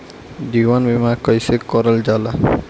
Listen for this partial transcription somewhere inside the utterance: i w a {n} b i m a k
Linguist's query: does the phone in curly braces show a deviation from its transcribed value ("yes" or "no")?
no